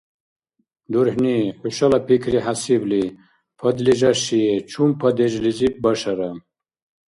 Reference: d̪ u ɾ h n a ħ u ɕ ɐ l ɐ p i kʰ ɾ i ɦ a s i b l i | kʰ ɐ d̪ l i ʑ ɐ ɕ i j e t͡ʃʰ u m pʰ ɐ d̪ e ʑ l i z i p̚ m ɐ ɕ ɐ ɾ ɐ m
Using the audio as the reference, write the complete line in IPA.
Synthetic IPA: d̪ u ɾ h n i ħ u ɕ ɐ l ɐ p i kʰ ɾ i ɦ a s i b l i | pʰ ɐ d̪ l i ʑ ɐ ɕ i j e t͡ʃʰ u m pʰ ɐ d̪ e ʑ l i z i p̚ b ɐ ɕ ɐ ɾ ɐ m